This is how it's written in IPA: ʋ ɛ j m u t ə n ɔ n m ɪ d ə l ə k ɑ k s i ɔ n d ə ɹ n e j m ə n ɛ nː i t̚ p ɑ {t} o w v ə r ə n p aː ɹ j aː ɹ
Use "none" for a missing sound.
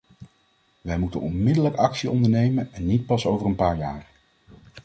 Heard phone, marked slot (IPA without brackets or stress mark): s